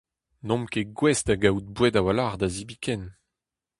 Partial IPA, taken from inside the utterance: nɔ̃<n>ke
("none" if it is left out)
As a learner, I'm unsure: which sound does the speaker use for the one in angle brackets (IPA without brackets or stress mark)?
m